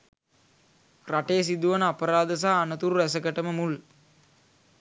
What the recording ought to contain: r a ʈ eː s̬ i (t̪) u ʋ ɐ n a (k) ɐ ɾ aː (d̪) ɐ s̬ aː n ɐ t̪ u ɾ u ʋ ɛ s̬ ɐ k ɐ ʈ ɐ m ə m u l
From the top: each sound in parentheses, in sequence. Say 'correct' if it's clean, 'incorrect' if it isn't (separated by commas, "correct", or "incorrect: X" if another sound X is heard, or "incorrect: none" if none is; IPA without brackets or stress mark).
incorrect: d̪, incorrect: p, correct